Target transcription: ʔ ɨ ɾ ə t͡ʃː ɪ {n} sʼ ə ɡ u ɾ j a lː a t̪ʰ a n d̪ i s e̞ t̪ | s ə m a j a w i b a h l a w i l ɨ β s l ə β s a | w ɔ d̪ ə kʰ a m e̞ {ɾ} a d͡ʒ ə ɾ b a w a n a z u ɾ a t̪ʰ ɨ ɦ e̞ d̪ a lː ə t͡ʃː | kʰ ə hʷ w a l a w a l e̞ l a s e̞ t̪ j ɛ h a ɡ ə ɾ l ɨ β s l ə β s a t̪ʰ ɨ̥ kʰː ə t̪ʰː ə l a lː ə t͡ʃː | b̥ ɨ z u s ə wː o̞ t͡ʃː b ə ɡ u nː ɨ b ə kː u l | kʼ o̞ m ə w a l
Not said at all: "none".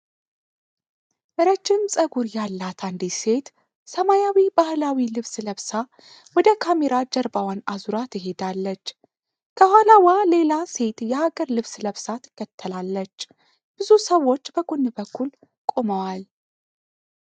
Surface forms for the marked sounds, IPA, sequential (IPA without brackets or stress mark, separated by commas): m, ɾ